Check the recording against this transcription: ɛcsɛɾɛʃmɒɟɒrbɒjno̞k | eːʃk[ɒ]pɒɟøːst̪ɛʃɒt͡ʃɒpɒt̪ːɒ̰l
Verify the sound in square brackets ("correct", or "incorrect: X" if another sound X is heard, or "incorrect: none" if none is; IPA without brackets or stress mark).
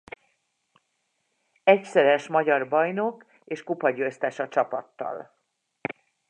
incorrect: u